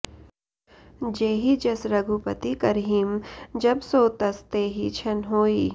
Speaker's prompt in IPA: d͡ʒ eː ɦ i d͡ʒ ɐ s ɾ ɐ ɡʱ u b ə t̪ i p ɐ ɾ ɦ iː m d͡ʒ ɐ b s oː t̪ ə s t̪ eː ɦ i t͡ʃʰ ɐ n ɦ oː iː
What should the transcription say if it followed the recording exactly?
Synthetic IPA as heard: d͡ʒ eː ɦ i d͡ʒ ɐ s ɾ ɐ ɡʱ u p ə t̪ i k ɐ ɾ ɦ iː m d͡ʒ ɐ b s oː t̪ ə s t̪ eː ɦ i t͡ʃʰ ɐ n ɦ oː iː